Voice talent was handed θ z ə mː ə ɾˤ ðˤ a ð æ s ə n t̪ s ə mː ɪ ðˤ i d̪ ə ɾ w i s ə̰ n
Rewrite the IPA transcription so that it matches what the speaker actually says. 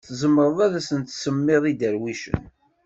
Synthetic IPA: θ z ə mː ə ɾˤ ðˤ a ð æ s ə n t̪ s ə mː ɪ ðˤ i d̪ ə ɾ w i ʃ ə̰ n